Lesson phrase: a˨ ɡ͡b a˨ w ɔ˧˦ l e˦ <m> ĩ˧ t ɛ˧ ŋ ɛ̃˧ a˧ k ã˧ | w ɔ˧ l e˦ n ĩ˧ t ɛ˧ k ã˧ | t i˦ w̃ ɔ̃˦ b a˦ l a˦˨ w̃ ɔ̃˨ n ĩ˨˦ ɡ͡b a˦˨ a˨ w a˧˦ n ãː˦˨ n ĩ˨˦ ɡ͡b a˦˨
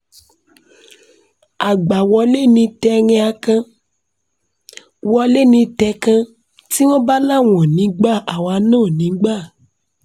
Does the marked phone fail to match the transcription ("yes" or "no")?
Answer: yes